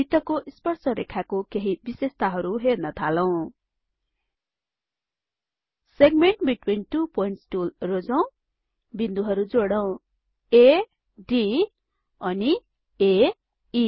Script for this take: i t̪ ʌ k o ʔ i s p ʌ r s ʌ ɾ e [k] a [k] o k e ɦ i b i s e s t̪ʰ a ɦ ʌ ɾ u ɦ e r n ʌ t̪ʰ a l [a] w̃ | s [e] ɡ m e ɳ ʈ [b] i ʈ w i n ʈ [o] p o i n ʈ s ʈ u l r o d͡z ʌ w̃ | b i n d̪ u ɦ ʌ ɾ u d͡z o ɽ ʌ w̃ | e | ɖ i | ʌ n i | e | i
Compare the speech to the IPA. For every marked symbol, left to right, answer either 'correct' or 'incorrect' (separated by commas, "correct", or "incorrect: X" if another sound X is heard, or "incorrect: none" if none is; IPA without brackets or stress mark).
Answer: incorrect: kʰ, correct, incorrect: ʌ, correct, correct, incorrect: u